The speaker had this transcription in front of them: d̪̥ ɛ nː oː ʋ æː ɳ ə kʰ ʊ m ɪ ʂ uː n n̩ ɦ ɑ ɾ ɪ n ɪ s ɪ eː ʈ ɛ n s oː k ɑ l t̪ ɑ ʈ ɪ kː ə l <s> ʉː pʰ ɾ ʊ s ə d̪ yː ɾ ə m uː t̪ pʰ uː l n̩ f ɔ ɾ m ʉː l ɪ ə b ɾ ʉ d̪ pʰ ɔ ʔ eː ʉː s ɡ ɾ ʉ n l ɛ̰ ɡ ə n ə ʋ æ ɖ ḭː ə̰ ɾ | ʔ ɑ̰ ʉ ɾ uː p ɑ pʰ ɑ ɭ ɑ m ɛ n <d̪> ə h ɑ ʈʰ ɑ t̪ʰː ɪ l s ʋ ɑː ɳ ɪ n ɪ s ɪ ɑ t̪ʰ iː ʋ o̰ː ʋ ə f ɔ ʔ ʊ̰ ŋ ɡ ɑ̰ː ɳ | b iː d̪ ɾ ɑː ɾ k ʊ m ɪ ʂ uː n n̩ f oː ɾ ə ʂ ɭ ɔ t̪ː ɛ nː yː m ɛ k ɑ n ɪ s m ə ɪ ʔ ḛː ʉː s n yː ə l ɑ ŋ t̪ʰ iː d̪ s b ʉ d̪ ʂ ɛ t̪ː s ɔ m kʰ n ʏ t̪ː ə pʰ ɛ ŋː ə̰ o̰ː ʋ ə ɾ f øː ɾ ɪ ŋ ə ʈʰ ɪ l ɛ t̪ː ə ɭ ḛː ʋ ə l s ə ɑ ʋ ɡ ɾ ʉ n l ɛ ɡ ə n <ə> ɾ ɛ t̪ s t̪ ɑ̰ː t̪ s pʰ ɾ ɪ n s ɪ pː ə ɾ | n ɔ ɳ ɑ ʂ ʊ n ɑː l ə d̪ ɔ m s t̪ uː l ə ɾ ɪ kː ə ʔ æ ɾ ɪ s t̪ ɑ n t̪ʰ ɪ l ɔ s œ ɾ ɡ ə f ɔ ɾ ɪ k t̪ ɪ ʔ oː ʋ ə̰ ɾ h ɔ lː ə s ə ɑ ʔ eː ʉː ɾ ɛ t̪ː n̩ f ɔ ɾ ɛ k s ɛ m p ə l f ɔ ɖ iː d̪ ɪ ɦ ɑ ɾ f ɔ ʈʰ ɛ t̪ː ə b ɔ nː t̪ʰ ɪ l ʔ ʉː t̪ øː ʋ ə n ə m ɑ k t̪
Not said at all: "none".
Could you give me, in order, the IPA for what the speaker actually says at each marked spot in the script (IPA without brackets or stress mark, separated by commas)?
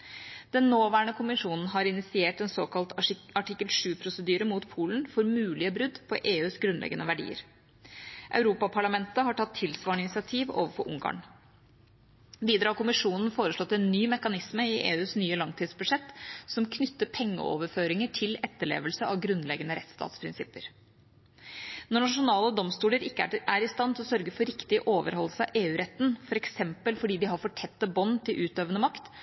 ʂ, t̪, ə